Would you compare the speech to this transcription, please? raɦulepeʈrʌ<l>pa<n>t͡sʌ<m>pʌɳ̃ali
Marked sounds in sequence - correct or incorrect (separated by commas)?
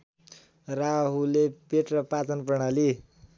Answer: incorrect, incorrect, incorrect